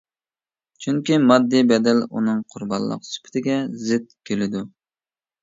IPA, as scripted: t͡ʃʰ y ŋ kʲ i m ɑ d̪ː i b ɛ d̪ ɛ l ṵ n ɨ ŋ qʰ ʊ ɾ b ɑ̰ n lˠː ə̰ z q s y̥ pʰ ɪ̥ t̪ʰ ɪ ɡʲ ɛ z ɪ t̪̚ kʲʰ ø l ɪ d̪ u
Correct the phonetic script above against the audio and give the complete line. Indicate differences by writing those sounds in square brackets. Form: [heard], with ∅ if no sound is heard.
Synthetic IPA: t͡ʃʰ y ŋ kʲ i m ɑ d̪ː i b ɛ d̪ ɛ l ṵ n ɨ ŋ qʰ ʊ ɾ b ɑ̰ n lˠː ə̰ [∅] q s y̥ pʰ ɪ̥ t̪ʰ ɪ ɡʲ ɛ z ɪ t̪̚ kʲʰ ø l ɪ d̪ u